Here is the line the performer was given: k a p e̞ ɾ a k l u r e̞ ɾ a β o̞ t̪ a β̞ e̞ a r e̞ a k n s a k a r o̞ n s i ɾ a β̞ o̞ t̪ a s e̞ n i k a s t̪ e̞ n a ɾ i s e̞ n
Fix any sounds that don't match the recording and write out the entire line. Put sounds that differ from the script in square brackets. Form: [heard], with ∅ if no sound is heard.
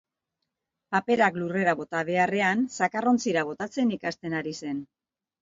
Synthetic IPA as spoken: [p] a p e̞ ɾ a k l u r e̞ ɾ a β o̞ t̪ a β̞ e̞ a r e̞ a [∅] n s a k a r o̞ n [t͡s] i ɾ a β̞ o̞ t̪ a [t͡s] e̞ n i k a s t̪ e̞ n a ɾ i s e̞ n